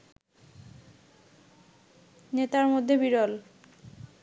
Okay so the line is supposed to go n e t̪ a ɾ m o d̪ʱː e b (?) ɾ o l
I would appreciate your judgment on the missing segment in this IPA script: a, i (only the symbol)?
i